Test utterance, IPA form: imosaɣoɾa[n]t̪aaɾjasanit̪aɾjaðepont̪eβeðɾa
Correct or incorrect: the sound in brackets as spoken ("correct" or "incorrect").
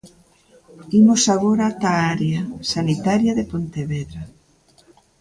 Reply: incorrect